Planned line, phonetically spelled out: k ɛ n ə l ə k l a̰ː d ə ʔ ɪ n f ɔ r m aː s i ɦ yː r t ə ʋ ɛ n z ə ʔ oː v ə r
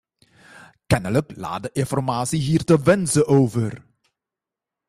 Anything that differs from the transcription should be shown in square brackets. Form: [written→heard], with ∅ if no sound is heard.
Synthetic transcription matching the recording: k ɛ n ə l ə k l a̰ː d ə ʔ ɪ n f ɔ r m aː s i ɦ [yː→iː] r t ə ʋ ɛ n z ə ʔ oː v ə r